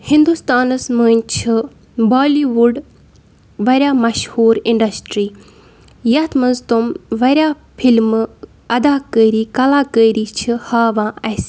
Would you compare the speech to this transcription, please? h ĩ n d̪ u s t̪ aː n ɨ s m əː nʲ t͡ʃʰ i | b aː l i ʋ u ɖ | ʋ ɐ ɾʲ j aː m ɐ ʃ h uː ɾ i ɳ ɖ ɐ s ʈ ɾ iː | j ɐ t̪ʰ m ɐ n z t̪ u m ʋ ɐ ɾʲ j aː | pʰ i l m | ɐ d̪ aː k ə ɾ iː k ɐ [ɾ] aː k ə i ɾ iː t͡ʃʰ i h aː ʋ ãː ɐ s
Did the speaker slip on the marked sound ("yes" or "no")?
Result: yes